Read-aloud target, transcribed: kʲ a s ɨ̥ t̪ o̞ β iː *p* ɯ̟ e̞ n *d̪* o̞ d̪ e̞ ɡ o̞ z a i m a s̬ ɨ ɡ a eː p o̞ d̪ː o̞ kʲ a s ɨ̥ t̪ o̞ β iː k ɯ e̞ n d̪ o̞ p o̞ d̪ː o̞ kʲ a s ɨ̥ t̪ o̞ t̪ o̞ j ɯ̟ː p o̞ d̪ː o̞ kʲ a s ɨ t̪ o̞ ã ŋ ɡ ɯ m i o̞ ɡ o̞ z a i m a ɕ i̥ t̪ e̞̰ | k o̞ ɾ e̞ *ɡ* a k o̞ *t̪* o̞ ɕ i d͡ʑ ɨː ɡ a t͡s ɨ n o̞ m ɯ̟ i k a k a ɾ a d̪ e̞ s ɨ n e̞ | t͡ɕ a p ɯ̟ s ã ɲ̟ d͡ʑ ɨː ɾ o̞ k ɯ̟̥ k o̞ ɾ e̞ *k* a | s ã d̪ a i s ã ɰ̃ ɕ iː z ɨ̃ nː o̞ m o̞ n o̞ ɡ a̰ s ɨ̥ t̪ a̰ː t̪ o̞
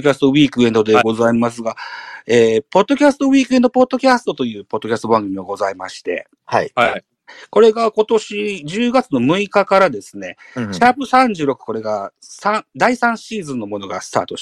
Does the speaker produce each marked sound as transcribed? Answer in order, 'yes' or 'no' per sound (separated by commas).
no, yes, yes, yes, no